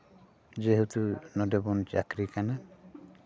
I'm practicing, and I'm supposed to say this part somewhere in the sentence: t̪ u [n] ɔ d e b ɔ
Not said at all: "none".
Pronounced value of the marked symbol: n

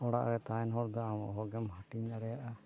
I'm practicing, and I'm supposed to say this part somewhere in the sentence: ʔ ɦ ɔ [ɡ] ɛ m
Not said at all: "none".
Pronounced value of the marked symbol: ɡ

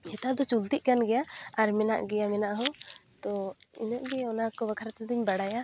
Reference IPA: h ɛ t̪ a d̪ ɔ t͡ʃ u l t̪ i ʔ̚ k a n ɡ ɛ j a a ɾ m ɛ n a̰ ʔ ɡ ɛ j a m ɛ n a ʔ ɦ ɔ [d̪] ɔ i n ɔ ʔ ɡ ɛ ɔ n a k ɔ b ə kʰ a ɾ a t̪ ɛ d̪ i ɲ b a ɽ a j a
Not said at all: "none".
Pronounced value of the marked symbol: t̪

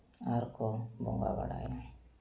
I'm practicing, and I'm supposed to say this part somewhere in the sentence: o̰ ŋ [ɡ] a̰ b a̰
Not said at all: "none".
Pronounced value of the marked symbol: ɡ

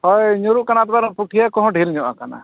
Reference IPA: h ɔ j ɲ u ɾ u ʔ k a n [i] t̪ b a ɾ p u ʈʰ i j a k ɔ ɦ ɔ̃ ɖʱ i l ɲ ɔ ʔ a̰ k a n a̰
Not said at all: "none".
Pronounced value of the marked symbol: a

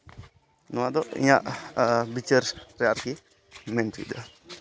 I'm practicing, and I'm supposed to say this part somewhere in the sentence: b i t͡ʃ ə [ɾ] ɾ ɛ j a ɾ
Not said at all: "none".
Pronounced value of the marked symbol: ɾ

